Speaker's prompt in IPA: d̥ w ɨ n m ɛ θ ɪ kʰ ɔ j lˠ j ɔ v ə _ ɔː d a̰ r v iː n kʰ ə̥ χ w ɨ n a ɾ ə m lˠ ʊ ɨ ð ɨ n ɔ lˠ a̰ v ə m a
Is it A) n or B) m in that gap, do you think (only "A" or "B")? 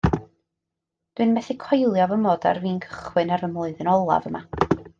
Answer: B